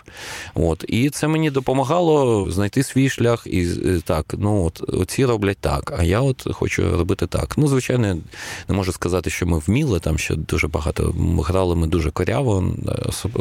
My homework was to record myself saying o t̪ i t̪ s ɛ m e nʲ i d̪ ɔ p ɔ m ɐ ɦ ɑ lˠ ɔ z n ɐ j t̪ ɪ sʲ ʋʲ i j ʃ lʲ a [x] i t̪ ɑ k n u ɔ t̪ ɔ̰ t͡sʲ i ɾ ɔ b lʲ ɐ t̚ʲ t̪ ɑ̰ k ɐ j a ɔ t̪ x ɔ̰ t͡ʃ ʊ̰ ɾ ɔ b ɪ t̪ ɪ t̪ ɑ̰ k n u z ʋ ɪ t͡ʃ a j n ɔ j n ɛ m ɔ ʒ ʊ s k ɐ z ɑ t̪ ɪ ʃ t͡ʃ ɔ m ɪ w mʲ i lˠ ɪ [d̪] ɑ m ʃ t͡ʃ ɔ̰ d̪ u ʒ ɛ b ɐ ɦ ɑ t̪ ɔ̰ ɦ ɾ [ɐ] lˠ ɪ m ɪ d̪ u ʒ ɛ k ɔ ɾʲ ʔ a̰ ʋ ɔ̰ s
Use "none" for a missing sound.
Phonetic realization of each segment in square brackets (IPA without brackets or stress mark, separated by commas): x, t̪, ɑ